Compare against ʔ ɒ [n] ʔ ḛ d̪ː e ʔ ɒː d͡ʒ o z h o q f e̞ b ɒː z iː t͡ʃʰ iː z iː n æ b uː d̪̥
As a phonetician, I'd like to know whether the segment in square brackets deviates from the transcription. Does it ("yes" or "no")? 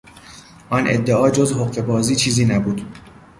no